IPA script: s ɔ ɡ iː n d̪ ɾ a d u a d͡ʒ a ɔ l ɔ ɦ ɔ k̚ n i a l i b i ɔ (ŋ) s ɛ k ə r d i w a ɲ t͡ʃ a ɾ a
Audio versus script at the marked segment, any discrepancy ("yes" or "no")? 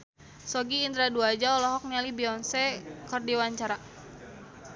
yes